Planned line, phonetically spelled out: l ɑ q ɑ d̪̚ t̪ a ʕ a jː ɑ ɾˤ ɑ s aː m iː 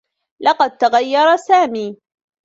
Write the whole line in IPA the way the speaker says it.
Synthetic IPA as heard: l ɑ q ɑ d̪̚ t̪ a ɣ a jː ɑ ɾˤ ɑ s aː m iː